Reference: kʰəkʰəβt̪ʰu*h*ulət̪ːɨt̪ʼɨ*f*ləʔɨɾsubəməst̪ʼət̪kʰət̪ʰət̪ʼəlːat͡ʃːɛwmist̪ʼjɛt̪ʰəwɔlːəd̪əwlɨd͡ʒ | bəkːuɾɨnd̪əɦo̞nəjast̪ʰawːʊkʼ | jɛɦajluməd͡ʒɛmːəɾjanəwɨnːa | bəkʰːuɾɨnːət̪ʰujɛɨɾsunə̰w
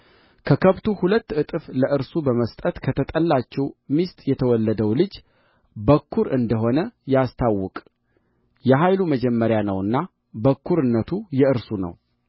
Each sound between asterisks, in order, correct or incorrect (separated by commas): correct, correct